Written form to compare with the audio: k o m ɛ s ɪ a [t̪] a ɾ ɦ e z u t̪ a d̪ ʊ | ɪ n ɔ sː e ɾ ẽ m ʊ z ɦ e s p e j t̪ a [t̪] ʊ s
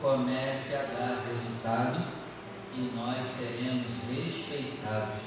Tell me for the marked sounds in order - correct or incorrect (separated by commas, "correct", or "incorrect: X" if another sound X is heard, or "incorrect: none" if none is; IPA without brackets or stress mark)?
incorrect: d̪, incorrect: d̪